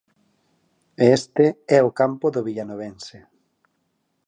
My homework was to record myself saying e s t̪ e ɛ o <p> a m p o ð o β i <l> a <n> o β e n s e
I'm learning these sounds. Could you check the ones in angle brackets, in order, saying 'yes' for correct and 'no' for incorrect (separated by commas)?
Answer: no, no, yes